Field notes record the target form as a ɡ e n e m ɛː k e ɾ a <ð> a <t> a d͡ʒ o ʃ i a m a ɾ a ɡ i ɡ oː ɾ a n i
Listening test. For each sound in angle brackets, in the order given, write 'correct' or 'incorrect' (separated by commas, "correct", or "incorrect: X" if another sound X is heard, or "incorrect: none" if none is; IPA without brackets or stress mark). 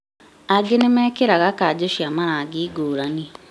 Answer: incorrect: ɣ, incorrect: k